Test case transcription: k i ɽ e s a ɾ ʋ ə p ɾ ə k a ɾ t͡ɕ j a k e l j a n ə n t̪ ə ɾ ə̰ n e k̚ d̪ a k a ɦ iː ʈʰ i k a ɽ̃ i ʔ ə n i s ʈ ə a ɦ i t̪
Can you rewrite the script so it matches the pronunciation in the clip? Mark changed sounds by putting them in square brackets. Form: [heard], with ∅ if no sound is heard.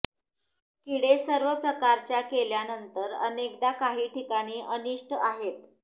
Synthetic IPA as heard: k i ɽ e s [ə] ɾ ʋ ə p ɾ ə k a ɾ t͡ɕ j a k e l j a n ə n t̪ ə ɾ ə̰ n e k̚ d̪ a k a ɦ iː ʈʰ i k a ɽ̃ [iː] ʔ ə n i [ʂ] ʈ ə a ɦ [e] t̪